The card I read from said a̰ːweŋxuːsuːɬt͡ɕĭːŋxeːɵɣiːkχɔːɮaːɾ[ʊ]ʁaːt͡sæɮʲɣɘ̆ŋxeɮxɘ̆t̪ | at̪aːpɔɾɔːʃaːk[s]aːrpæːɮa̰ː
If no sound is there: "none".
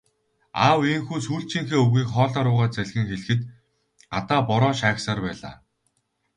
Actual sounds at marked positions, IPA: ʊː, s

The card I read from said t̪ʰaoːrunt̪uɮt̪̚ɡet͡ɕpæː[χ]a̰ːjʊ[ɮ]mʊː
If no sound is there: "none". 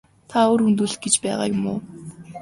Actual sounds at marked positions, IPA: ʁ, none

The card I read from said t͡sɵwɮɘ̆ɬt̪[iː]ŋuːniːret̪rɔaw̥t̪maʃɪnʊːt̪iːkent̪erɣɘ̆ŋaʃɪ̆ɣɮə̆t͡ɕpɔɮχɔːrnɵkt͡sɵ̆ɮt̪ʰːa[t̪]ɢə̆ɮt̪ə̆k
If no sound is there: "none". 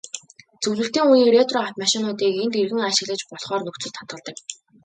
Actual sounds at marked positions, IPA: iː, t̪

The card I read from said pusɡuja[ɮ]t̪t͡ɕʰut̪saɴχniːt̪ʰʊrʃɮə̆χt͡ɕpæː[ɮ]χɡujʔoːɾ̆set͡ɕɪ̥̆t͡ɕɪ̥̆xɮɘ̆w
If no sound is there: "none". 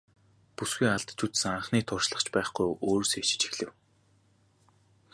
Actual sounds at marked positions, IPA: ɮ, none

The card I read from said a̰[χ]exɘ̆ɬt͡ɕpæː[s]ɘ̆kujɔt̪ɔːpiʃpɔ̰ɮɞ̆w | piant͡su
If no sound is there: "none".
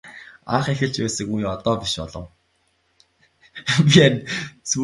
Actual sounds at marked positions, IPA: χ, s

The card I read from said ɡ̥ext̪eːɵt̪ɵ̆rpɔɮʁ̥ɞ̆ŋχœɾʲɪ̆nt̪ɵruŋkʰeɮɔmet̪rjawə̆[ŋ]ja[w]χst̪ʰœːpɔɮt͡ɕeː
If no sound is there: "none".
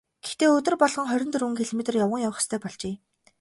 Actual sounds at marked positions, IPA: ŋ, w

